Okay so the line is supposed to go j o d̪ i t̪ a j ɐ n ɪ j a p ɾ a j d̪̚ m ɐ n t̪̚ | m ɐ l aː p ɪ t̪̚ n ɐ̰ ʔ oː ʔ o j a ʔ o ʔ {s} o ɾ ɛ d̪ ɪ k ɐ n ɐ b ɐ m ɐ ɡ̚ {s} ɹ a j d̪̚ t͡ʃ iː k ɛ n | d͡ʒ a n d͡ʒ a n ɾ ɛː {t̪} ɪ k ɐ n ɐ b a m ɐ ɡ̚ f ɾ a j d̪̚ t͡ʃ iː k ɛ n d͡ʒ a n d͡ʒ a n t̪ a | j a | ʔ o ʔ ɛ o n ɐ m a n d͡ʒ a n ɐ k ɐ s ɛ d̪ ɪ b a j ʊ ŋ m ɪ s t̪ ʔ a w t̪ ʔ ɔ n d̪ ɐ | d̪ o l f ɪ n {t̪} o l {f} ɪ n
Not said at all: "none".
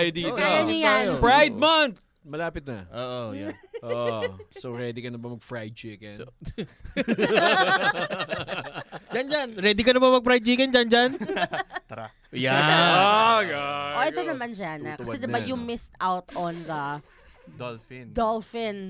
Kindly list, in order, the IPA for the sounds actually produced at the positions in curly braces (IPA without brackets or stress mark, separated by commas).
s, f, d̪, d̪, f